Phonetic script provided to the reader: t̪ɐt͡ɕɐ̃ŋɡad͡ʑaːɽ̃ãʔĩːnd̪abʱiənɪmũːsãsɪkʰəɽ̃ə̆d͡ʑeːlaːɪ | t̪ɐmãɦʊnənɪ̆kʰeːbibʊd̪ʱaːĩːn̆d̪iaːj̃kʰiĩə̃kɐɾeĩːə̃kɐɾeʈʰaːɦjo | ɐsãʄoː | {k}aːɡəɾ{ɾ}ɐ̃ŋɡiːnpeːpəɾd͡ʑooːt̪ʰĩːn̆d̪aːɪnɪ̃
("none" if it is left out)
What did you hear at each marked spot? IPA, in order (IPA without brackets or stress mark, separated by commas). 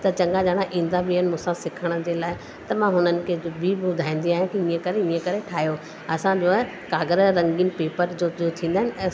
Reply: k, ɾ